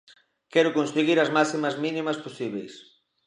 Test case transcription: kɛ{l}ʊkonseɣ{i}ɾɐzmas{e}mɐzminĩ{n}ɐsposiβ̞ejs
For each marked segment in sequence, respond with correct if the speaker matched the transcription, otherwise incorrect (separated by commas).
incorrect, correct, incorrect, incorrect